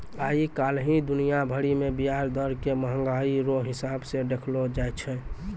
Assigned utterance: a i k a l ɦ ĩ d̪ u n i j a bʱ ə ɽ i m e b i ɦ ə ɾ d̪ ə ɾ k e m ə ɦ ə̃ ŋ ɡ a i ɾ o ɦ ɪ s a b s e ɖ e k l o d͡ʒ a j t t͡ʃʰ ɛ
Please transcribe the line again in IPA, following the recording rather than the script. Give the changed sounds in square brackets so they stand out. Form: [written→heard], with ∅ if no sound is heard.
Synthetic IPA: a i k a l ɦ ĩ d̪ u n i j a bʱ ə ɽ i m e b i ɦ [ə→a] ɾ d̪ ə ɾ k e m ə ɦ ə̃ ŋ ɡ a i ɾ o ɦ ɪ s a b s e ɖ e [k→kʰ] l o d͡ʒ a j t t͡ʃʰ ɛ